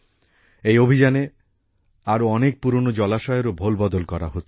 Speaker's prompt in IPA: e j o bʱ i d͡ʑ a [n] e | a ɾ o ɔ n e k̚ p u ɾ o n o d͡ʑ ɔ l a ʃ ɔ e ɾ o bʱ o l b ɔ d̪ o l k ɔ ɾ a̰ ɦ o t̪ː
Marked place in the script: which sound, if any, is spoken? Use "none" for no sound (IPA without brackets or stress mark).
n